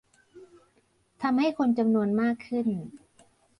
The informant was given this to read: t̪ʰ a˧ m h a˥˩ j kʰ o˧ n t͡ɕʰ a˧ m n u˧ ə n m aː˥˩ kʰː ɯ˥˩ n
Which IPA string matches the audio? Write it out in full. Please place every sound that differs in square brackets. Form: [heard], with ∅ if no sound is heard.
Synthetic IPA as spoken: t̪ʰ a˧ m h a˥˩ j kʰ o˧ n [t͡ɕ] a˧ m n u˧ ə n m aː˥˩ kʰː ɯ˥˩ n